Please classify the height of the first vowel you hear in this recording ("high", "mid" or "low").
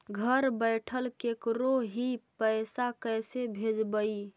mid